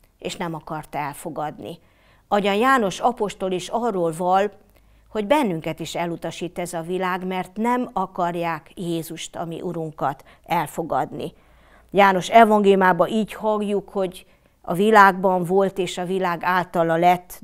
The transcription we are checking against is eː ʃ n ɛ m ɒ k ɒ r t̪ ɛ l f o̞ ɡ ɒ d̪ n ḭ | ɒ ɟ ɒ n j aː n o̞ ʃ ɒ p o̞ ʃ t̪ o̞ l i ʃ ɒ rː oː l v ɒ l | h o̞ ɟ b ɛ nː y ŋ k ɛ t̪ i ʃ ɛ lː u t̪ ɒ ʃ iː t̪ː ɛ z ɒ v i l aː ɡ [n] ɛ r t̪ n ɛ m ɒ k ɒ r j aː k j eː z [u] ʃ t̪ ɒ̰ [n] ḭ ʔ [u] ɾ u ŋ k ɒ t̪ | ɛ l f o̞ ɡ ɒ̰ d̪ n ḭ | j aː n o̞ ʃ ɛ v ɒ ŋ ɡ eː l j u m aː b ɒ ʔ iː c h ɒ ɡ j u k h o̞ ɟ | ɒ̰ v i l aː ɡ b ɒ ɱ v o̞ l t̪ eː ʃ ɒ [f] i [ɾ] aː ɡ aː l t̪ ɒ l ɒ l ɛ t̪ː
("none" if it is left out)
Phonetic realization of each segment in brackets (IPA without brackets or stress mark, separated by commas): m, u, m, u, v, l